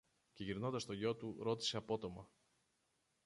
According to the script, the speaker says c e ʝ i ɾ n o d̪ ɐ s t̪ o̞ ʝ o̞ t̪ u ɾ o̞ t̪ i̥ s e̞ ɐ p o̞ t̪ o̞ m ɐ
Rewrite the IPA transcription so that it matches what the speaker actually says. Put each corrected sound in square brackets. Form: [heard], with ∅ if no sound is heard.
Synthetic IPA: c e ʝ i ɾ n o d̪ ɐ s t̪ o̞ ʝ o̞ t̪ u ɾ o̞ t̪ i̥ s e̞ ɐ p o̞ t̪ o̞ m ɐ